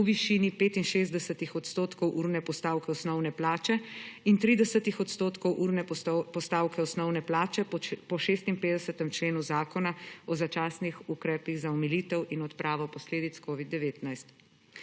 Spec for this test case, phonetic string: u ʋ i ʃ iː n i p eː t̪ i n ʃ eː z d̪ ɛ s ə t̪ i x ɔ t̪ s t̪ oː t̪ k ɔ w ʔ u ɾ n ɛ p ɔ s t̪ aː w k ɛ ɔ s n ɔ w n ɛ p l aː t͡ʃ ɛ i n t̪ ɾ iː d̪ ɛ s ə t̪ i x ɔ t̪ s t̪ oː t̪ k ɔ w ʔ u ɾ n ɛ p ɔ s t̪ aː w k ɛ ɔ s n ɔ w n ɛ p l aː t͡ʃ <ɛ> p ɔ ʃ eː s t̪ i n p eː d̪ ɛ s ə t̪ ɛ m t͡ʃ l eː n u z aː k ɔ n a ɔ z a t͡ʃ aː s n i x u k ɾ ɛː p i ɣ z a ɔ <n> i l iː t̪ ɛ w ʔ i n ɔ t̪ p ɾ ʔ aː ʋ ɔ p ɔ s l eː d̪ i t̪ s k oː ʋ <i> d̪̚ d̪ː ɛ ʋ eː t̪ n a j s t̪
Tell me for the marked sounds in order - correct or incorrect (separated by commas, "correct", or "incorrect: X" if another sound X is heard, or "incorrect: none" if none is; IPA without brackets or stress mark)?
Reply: correct, incorrect: m, correct